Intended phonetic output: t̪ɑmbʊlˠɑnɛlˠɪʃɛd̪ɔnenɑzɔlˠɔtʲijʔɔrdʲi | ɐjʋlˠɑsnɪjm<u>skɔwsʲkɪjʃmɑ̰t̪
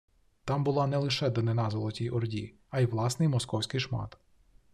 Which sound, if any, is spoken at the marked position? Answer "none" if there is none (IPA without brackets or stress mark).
ɔ